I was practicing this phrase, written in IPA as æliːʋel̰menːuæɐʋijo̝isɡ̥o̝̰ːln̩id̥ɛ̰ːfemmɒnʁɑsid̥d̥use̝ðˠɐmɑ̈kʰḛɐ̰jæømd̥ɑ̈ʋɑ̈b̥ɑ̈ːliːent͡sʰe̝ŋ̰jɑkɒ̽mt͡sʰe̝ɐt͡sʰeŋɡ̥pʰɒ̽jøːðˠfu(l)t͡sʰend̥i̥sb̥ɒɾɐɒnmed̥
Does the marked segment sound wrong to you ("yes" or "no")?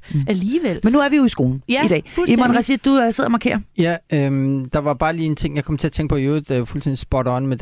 no